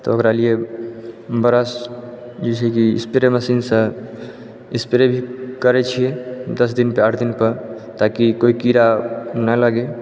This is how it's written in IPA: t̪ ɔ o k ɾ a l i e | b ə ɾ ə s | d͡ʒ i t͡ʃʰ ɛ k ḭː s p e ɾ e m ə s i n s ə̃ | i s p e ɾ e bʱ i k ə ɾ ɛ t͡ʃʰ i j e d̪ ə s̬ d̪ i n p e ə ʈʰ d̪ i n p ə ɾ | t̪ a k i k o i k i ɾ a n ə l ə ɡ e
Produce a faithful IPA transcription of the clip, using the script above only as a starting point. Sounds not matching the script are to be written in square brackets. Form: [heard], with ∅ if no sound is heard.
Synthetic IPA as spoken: t̪ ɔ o k ɾ a l i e | b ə ɾ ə s | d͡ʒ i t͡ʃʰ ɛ k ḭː s p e ɾ e m ə s i n s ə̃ | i s p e ɾ e bʱ i k ə ɾ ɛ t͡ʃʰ i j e d̪ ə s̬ d̪ i n p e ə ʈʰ d̪ i n p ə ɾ | t̪ a k i k o i k i ɾ a n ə l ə ɡ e